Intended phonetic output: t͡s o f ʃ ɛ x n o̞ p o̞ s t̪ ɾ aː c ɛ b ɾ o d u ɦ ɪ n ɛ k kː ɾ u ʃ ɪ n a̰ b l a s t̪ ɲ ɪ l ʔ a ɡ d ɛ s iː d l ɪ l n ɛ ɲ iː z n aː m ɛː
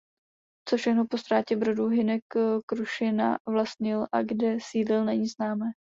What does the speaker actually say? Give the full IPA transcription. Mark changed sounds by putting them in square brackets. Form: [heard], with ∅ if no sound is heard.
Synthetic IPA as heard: t͡s o f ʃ ɛ x n o̞ p o̞ s t̪ ɾ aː c ɛ b ɾ o d u ɦ ɪ n ɛ k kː ɾ u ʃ ɪ n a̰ [v] l a s t̪ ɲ ɪ l ʔ a ɡ d ɛ s iː d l ɪ l n ɛ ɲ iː z n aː m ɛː